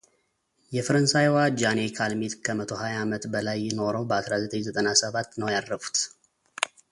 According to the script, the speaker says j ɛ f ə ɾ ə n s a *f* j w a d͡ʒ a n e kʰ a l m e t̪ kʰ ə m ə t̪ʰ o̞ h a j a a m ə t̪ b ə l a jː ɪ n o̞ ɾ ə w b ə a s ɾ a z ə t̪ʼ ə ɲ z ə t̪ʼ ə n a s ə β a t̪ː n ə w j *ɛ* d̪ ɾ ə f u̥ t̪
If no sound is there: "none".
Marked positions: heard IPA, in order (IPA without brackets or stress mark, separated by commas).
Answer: none, a